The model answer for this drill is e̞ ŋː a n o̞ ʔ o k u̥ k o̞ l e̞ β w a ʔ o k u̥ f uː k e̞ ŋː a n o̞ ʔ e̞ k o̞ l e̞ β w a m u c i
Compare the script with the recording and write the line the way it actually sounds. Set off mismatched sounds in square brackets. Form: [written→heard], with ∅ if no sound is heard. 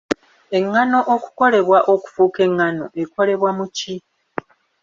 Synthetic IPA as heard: e̞ ŋː a n o̞ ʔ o k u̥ k o̞ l e̞ β w a ʔ o k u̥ f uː k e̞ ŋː a n o̞ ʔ e̞ k o̞ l e̞ β w a m u c i